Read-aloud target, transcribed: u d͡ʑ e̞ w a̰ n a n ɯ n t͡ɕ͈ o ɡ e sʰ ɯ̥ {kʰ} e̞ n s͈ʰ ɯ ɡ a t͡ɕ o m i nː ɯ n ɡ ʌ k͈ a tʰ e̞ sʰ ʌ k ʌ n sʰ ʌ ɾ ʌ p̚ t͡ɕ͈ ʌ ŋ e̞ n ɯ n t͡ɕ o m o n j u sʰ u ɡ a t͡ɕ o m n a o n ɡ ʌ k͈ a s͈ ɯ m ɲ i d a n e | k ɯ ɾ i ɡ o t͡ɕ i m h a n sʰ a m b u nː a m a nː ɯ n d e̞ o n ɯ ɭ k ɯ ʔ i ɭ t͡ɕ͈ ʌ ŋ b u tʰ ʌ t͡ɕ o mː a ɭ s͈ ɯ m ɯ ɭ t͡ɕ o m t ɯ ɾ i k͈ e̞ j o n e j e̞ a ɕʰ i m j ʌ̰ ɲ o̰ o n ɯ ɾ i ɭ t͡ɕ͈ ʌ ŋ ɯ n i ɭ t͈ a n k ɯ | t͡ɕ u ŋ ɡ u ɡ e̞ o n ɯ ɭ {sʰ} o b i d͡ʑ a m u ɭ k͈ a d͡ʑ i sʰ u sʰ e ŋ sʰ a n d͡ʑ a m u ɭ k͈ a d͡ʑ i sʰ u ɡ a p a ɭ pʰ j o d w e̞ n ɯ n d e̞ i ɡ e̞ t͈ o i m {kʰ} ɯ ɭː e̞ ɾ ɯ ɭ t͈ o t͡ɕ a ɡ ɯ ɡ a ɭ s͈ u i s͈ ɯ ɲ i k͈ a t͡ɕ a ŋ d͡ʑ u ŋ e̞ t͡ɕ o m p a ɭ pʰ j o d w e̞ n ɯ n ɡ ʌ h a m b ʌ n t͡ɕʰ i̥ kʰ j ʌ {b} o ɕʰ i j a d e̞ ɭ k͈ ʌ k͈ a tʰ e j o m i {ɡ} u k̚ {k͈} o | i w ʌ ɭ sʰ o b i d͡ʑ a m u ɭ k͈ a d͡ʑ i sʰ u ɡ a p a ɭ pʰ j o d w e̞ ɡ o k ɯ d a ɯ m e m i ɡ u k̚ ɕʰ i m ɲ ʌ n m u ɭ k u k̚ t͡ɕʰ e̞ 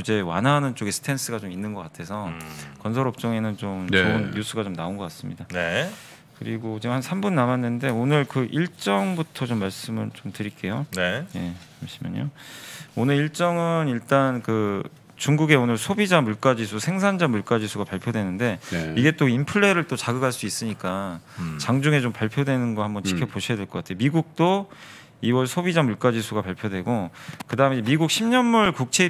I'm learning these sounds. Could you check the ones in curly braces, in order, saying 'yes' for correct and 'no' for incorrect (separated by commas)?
no, yes, no, no, yes, no